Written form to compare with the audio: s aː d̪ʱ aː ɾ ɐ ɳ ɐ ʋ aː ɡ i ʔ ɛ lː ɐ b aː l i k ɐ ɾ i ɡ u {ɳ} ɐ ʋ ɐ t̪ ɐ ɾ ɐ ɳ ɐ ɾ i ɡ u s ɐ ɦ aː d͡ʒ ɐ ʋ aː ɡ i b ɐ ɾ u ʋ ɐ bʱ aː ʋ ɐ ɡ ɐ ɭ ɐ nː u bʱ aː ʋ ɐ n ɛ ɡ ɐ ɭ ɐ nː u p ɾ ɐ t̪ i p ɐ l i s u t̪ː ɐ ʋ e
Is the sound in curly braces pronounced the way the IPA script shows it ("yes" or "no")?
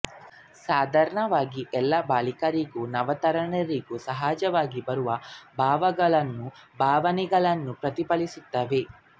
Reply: no